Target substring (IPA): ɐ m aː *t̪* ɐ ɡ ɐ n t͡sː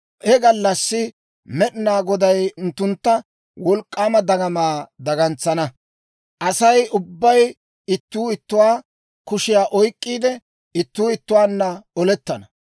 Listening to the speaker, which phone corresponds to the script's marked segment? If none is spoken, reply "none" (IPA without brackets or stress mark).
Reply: d̪